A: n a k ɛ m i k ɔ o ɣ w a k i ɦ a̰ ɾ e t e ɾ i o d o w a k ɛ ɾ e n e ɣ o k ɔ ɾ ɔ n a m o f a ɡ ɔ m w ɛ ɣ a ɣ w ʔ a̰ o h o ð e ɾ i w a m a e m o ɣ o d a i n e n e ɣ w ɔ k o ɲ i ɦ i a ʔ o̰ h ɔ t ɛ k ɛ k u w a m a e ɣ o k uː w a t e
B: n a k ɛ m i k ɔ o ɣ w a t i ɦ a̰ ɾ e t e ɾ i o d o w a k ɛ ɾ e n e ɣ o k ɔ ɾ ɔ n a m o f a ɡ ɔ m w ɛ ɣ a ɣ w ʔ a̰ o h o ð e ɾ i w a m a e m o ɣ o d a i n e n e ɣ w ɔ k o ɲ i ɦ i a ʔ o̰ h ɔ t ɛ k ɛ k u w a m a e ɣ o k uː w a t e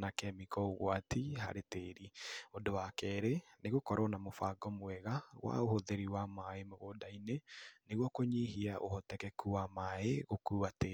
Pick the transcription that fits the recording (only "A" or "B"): B